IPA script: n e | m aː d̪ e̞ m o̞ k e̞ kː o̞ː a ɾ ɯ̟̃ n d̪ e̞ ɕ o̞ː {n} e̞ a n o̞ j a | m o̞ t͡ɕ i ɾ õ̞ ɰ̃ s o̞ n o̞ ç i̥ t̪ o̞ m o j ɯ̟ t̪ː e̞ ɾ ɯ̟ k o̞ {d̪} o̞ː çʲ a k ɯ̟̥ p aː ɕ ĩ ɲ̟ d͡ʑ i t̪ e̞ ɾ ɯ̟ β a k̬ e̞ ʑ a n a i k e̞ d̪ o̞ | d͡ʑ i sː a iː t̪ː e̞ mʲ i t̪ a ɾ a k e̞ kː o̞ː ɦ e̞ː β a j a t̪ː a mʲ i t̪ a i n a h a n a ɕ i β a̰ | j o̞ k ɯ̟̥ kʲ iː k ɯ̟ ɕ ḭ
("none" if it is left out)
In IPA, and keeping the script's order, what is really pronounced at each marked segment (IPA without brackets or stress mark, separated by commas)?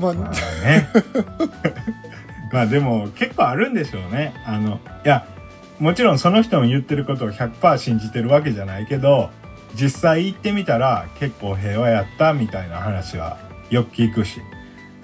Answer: n, t̪